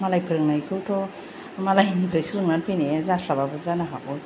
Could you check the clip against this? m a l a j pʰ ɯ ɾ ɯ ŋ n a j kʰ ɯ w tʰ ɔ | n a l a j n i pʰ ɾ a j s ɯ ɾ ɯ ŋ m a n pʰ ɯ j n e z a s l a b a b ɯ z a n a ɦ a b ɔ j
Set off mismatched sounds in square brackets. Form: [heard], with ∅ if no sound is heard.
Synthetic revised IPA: m a l a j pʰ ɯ ɾ ɯ ŋ n a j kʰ ɯ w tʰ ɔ | [m] a l a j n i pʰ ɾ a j s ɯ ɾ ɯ ŋ [n] a n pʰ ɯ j n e z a s l a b a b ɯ z a n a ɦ a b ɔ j

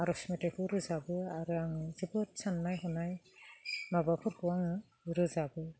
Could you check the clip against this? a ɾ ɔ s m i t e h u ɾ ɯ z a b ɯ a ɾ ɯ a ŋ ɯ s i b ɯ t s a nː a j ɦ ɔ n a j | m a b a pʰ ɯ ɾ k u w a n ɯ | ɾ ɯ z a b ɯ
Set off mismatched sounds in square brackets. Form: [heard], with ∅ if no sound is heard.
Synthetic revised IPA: a ɾ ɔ s m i t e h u ɾ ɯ z a b ɯ a ɾ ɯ a ŋ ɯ [z] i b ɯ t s a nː a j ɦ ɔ n a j | m a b a pʰ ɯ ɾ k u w a [ŋ] ɯ | ɾ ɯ z a b ɯ

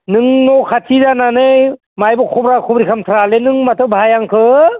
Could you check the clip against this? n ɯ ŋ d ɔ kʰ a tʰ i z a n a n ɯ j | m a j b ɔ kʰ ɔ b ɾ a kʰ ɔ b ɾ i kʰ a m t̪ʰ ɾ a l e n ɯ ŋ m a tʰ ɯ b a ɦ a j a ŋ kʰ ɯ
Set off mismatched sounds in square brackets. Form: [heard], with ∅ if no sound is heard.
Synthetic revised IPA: n ɯ ŋ [n] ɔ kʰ a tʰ i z a n a n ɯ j | m a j b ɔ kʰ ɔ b ɾ a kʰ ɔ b ɾ i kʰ a m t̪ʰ ɾ a l e n ɯ ŋ m a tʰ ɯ b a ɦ a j a ŋ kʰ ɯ

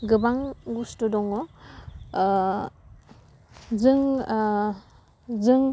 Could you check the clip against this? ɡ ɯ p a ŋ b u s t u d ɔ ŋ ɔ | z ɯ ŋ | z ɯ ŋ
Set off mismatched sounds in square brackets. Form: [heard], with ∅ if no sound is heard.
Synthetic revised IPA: ɡ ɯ [b] a ŋ [ɡ] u s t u d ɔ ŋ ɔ | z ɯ ŋ | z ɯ ŋ

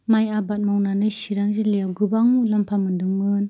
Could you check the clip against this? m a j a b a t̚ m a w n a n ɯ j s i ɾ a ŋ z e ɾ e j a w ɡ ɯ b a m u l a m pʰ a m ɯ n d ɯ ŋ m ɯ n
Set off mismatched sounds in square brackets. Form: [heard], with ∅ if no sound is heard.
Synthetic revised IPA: m a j a b a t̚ m a w n a n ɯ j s i ɾ a ŋ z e [l] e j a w ɡ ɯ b a [ŋ] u l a m pʰ a m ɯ n d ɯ ŋ m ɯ n

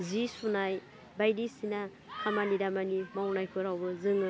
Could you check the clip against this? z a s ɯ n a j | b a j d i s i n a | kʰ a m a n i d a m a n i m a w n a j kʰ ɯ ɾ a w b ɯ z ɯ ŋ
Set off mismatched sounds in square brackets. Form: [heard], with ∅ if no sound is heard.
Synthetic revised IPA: z [i] s [u] n a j | b a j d i s i n a | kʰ a m a n i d a m a n i m a w n a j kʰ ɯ ɾ a w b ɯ z ɯ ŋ

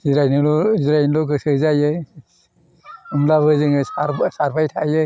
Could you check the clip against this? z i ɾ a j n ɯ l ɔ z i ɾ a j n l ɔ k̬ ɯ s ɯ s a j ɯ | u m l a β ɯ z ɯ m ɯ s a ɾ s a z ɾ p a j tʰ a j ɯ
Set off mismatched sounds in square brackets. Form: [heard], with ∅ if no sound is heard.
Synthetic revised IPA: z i ɾ a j n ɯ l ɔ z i ɾ a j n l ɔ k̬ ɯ s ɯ [z] a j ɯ | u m l a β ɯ z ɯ [ŋ] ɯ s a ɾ s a [∅] ɾ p a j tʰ a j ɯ

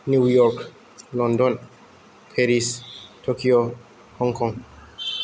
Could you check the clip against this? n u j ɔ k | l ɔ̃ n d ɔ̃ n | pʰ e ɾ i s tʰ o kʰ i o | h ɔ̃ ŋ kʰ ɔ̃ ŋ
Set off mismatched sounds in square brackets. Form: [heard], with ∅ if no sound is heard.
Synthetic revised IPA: n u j ɔ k | l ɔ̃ n d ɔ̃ n | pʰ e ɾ i s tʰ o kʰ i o | h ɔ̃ ŋ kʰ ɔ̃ ŋ

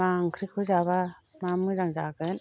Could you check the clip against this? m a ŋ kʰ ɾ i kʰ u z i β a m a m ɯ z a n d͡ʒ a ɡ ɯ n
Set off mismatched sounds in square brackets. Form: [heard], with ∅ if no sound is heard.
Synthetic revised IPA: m a ŋ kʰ ɾ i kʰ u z [a] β a m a m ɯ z a [ŋ] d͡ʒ a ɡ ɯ n

